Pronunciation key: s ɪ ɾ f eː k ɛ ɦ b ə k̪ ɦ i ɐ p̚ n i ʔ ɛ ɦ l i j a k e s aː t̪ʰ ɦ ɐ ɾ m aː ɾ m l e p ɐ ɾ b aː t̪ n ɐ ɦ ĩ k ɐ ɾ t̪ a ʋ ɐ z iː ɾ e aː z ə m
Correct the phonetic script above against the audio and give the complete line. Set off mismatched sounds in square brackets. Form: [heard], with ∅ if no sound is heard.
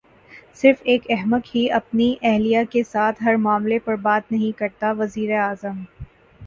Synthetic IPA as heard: s ɪ ɾ f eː k ɛ ɦ [m] ə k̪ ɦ i ɐ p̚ n i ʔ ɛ ɦ l i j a k e s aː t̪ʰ ɦ ɐ ɾ m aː [∅] m l e p ɐ ɾ b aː t̪ n ɐ ɦ ĩ k ɐ ɾ t̪ a ʋ ɐ z iː ɾ e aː z ə m